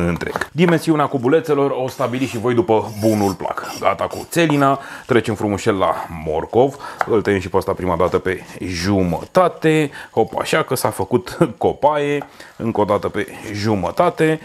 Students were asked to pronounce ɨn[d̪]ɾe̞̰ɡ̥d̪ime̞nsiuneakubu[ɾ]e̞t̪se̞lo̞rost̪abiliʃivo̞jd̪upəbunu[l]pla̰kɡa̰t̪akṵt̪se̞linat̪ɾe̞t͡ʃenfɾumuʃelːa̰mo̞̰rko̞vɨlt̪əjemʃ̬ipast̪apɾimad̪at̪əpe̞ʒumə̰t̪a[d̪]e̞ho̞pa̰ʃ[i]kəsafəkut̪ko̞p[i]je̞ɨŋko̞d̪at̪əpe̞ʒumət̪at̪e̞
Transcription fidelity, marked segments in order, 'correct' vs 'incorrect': incorrect: t̪, incorrect: l, correct, incorrect: t̪, incorrect: a, incorrect: a

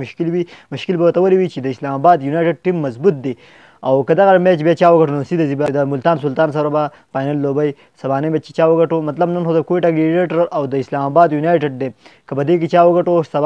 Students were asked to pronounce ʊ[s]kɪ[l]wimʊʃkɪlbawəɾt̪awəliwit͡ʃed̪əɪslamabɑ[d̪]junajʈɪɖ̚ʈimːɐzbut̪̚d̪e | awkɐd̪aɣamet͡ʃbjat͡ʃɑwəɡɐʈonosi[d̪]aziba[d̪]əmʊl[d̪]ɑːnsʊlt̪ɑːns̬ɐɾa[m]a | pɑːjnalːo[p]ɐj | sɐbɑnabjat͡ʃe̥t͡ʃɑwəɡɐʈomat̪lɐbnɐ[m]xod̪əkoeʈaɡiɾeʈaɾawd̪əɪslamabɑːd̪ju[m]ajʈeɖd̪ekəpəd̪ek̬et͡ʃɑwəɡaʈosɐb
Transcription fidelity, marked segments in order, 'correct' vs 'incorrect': incorrect: ʃ, correct, correct, correct, correct, incorrect: t̪, incorrect: b, incorrect: b, incorrect: n, incorrect: n

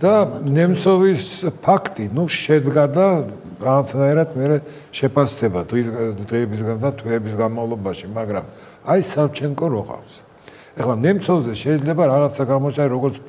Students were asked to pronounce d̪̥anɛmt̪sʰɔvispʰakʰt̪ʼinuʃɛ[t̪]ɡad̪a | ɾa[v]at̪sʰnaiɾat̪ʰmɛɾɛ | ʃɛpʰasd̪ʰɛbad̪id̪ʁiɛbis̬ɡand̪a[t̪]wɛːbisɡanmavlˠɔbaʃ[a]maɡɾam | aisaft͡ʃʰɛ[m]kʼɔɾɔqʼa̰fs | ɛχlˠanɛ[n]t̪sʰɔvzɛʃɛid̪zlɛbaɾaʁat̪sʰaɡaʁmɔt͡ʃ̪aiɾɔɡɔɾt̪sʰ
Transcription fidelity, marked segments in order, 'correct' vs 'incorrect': incorrect: d̪, incorrect: ʁ, incorrect: t̪ʰ, incorrect: i, incorrect: ŋ, incorrect: m

